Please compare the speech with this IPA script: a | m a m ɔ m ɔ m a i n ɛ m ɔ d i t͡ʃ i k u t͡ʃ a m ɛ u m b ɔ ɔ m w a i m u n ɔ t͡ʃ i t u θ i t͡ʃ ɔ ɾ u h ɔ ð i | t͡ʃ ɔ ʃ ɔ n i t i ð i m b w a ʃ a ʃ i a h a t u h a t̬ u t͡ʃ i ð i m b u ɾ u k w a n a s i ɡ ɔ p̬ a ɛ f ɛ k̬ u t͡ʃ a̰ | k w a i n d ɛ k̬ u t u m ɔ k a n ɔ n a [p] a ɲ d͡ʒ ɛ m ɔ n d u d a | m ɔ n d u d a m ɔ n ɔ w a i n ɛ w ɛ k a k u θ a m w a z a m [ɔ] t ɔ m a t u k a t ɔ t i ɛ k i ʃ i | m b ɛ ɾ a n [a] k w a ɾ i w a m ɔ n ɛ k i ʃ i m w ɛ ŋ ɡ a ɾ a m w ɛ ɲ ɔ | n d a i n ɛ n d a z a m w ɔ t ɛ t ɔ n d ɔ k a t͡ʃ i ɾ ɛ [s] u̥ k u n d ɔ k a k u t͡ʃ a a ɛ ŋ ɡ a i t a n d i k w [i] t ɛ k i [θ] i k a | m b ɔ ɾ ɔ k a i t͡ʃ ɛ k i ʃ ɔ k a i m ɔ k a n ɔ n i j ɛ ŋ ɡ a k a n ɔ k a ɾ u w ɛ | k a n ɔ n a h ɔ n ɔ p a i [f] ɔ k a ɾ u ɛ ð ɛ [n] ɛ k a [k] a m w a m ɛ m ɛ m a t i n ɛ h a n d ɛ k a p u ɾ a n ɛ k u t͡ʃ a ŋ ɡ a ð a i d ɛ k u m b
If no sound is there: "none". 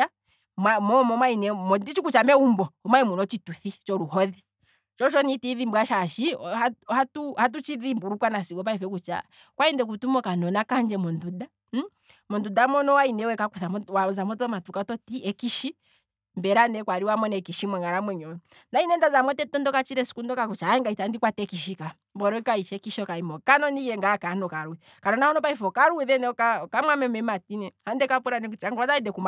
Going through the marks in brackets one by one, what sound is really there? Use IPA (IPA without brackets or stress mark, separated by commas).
k, ɔ, ɛ, s, a, ʃ, f, n, k